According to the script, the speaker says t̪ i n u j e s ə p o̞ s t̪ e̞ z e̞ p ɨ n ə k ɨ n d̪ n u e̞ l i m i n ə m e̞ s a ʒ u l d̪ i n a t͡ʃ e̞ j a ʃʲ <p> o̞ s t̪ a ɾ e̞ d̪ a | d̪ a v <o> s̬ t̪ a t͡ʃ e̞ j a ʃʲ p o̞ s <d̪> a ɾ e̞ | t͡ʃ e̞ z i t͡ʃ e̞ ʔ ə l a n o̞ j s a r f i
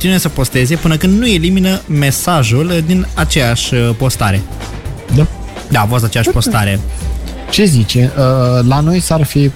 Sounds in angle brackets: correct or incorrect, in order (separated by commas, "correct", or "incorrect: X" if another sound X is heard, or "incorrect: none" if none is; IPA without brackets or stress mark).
correct, correct, incorrect: t̪